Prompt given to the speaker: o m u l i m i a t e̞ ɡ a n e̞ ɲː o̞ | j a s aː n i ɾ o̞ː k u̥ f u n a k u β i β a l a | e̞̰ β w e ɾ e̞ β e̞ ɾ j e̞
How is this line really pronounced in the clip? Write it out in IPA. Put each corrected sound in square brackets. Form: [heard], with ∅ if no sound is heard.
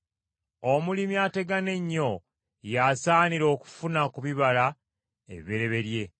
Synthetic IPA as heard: o m u l i m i a t e̞ ɡ a n e̞ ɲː o̞ | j a s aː n i ɾ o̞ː k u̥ f u n a k u β i β a l a | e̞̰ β [β] e ɾ e̞ β e̞ ɾ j e̞